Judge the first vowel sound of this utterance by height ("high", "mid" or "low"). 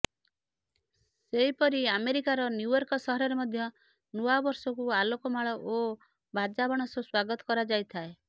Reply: mid